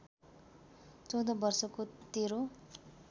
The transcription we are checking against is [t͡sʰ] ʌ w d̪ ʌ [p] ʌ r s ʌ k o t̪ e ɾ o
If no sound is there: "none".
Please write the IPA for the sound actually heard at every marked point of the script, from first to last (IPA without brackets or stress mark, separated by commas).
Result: t͡s, b